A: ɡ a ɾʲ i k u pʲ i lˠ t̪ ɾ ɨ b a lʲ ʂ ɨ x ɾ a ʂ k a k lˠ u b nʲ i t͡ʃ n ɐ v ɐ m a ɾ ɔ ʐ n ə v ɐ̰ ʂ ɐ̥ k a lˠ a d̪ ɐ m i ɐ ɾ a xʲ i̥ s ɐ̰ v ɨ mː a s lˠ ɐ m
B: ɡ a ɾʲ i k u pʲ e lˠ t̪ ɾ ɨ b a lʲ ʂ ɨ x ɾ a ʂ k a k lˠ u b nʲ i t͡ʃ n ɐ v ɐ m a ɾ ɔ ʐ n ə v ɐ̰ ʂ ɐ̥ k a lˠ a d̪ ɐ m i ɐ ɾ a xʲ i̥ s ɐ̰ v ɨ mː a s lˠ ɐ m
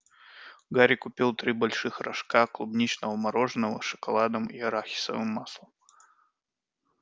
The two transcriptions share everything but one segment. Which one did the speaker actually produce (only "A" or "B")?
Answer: A